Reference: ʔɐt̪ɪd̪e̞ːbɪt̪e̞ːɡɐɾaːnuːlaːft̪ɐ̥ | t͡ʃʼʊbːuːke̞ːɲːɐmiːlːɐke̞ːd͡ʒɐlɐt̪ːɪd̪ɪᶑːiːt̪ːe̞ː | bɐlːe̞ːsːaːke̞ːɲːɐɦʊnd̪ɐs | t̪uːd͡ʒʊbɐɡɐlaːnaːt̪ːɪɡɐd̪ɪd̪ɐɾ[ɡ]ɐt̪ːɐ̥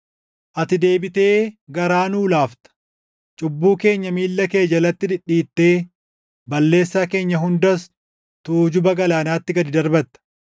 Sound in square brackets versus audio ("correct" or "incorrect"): incorrect